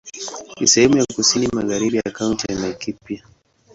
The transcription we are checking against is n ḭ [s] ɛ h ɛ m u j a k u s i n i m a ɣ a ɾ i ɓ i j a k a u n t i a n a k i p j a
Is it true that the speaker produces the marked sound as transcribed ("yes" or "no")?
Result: yes